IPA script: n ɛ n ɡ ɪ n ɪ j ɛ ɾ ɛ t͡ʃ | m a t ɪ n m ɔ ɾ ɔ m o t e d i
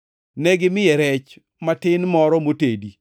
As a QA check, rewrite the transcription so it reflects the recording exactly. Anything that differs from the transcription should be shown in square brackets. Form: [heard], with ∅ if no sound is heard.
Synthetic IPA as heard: n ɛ [∅] ɡ ɪ [m] ɪ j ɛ ɾ ɛ t͡ʃ | m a t ɪ n m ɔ ɾ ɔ m o t e d i

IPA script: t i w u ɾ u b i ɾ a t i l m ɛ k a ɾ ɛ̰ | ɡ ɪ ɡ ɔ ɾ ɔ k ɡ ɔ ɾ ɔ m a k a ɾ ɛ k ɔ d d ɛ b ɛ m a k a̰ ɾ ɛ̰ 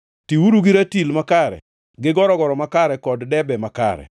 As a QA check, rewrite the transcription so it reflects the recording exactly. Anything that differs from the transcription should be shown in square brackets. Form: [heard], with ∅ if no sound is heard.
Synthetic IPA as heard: t i w u ɾ u [ɡ] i ɾ a t i l m [a] k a ɾ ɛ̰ | ɡ ɪ ɡ ɔ ɾ ɔ [∅] ɡ ɔ ɾ ɔ m a k a ɾ ɛ k ɔ d d ɛ b ɛ m a k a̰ ɾ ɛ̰

